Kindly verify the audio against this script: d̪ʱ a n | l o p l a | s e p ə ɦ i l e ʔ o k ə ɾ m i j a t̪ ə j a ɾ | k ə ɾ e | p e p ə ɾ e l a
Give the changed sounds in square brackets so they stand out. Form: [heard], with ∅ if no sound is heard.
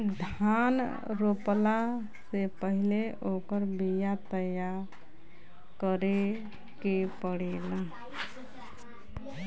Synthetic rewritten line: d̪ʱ a n | [ɾ] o p l a | s e p ə ɦ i l e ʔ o k ə ɾ [b] i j a t̪ ə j a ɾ | k ə ɾ e | [k] e p ə [ɽ] e l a